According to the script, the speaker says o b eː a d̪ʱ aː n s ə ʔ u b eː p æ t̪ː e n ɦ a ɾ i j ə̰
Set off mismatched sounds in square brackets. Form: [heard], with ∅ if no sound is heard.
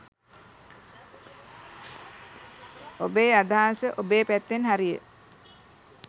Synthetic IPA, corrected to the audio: o b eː a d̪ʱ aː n s ə ʔ [o] b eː p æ t̪ː e n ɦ a ɾ i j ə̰